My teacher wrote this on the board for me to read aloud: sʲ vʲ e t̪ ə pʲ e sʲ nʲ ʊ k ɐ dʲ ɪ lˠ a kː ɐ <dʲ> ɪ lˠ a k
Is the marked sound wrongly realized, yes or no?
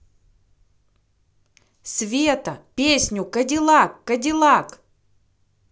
no